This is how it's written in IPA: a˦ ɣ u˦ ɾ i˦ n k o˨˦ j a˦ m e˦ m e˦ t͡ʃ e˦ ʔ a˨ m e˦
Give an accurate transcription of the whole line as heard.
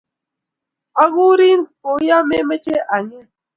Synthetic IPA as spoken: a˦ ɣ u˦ ɾ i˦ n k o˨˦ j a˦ m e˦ m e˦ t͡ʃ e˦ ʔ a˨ ɲ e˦